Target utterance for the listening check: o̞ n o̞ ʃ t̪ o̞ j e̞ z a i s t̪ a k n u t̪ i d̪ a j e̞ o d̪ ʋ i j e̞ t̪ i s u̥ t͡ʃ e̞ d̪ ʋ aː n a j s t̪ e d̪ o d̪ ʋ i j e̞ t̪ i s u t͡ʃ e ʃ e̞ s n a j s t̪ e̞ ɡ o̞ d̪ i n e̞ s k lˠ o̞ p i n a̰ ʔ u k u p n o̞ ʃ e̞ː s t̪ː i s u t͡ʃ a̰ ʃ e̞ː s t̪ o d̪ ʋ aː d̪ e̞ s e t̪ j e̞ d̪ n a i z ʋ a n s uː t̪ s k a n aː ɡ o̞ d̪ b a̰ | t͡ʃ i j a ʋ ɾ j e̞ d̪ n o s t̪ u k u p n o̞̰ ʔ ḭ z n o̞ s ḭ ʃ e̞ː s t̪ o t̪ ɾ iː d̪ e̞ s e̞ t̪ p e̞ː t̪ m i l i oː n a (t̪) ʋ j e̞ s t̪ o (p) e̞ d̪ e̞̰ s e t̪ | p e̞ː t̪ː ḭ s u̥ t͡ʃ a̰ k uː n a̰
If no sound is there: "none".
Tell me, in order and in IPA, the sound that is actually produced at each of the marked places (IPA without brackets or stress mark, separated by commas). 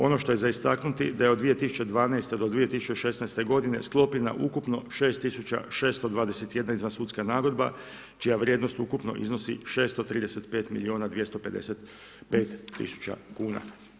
d̪, p